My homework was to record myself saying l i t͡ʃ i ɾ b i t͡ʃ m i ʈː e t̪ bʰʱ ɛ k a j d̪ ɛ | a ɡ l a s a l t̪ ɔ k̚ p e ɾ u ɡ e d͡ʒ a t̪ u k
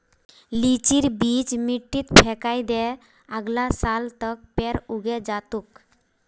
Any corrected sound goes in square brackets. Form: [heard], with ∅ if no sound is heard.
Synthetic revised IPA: l i t͡ʃ i ɾ b i t͡ʃ m i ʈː [i] t̪ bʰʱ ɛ k a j d̪ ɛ | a ɡ l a s a l t̪ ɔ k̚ p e ɾ u ɡ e d͡ʒ a t̪ u k